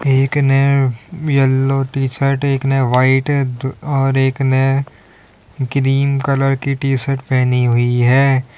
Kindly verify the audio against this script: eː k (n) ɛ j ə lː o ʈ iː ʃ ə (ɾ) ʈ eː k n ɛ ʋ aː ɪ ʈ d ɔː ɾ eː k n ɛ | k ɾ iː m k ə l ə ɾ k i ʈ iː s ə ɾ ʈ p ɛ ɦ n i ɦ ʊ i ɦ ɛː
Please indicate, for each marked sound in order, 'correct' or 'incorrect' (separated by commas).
correct, correct